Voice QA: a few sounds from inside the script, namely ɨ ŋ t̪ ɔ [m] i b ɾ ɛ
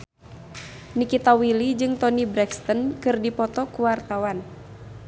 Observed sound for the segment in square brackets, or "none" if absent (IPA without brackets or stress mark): n